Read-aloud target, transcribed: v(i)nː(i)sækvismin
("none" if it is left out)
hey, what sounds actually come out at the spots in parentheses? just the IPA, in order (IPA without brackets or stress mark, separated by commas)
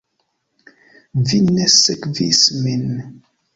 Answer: i, æ